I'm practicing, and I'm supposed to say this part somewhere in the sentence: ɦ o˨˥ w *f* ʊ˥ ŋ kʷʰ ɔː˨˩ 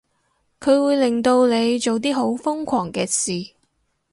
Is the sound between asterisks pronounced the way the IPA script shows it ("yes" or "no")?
yes